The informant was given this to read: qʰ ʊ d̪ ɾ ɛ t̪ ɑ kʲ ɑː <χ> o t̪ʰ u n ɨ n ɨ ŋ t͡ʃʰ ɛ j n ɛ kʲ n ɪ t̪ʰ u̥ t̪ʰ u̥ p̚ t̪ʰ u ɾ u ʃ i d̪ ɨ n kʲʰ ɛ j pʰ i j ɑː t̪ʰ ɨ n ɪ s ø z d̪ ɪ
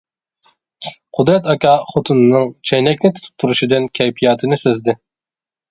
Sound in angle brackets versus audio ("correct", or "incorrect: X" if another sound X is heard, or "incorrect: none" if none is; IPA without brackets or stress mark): correct